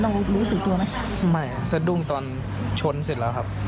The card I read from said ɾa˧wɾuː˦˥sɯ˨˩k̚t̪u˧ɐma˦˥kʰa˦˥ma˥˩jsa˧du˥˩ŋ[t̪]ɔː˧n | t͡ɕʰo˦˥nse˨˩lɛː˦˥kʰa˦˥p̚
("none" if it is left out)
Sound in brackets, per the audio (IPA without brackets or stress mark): t̪